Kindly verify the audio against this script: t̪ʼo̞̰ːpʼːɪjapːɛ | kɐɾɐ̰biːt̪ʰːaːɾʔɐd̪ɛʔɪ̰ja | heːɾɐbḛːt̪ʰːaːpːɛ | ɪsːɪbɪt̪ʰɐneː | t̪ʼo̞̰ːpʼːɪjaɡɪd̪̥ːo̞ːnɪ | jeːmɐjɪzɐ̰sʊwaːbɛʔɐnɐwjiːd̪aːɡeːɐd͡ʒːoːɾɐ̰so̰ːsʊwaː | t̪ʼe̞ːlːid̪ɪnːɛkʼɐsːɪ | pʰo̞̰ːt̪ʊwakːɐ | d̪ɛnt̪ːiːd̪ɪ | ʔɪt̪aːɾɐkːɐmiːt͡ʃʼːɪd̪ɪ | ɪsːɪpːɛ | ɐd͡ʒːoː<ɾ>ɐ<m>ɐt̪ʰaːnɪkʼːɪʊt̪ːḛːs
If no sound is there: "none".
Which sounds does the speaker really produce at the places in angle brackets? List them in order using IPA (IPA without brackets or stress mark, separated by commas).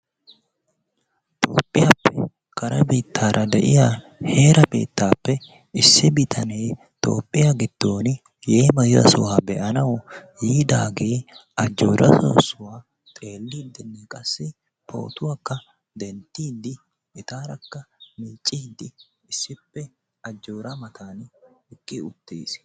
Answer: ɾ, m